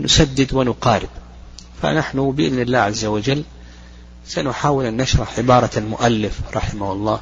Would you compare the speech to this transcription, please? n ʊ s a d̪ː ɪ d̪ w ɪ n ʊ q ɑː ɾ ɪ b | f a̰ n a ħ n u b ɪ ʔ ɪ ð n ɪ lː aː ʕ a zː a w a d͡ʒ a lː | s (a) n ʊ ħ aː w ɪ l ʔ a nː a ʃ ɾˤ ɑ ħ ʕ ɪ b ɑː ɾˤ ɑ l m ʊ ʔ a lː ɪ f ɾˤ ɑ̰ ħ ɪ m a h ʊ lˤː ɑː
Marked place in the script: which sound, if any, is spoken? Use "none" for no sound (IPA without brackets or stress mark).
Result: a